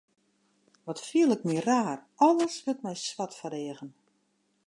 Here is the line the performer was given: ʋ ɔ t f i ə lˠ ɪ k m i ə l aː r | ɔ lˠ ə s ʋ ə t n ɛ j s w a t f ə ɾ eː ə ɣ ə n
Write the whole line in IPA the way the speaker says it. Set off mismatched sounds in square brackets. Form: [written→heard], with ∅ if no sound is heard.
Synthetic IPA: ʋ ɔ t f i ə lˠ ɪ k m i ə [l→r] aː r | ɔ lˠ ə s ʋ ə t [n→m] ɛ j s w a t f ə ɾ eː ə ɣ ə n